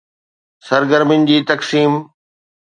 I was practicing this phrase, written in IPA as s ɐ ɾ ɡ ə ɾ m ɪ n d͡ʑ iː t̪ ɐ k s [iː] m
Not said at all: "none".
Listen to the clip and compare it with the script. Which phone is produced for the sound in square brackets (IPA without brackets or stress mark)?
iː